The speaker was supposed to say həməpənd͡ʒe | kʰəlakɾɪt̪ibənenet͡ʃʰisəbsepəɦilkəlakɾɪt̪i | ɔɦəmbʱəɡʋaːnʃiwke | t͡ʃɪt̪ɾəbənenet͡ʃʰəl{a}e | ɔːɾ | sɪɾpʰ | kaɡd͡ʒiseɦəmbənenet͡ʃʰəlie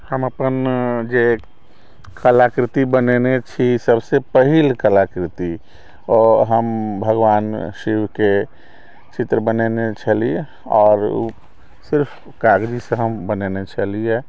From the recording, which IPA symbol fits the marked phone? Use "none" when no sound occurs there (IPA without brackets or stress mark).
i